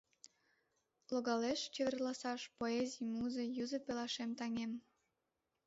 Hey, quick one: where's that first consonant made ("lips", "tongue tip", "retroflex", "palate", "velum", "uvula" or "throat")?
tongue tip